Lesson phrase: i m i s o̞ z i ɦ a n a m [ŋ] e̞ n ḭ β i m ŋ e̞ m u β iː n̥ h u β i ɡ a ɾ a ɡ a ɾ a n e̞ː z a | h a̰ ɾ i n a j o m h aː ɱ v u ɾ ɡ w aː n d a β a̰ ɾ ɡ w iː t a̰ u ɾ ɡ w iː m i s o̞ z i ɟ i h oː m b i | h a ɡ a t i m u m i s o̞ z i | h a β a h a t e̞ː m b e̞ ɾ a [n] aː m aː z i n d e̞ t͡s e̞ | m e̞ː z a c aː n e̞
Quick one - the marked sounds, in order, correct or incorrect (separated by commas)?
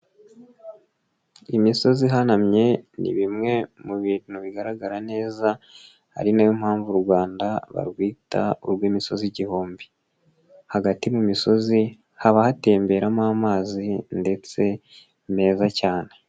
incorrect, incorrect